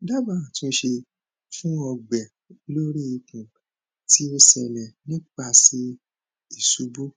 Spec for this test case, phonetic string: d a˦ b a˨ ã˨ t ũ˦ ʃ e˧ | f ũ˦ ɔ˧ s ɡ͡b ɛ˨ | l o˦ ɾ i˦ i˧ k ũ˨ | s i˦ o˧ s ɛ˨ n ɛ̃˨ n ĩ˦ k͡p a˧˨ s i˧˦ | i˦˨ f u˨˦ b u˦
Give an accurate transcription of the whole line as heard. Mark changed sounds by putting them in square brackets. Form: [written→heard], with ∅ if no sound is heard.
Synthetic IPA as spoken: d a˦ b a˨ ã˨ t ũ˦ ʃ e˧ | f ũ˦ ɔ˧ [s→∅] ɡ͡b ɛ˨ | l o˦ ɾ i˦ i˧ k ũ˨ | [s→t] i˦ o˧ s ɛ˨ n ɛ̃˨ n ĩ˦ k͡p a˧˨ s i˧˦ | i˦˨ [f→s] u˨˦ b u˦